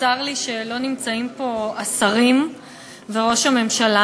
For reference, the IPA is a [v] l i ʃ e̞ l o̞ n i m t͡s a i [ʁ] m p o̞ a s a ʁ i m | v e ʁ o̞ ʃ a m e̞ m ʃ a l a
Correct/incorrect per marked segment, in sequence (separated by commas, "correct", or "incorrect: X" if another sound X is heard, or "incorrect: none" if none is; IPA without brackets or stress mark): incorrect: ʁ, incorrect: none